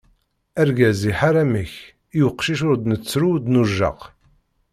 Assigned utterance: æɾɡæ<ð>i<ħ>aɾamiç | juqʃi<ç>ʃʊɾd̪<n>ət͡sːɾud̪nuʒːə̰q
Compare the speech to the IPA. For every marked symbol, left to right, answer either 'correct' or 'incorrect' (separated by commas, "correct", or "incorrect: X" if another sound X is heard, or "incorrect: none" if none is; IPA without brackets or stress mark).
incorrect: z, correct, incorrect: none, correct